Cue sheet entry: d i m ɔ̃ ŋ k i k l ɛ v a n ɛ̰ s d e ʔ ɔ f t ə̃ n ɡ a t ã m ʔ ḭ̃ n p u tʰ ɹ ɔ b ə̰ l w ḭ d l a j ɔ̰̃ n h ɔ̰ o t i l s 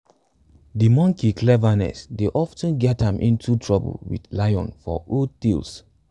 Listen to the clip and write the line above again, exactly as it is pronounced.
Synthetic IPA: d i m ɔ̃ ŋ k i k l ɛ v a n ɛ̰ s d e ʔ ɔ f t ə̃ n ɡ ɛ t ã m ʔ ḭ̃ n t u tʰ ɹ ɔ b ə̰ l w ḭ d l a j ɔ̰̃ n f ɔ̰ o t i l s